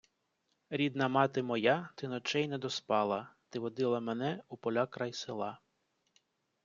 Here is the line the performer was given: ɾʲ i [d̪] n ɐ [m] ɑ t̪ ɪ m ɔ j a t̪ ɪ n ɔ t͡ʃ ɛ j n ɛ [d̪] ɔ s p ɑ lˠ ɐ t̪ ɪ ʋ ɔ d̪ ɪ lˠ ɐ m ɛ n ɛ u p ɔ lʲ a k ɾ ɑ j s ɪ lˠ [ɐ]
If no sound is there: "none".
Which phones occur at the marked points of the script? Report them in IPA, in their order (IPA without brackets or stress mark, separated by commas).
d̪, m, d̪, ɑ